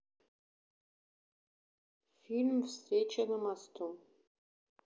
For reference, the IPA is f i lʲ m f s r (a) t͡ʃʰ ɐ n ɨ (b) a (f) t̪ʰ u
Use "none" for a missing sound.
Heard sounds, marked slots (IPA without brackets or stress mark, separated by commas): e, m, s